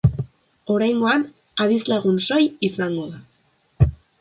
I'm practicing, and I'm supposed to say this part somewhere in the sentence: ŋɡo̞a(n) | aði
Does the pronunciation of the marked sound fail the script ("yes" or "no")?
no